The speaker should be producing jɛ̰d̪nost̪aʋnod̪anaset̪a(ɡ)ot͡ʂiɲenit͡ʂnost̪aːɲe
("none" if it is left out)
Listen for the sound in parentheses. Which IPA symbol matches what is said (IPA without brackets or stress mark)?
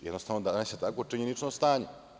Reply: k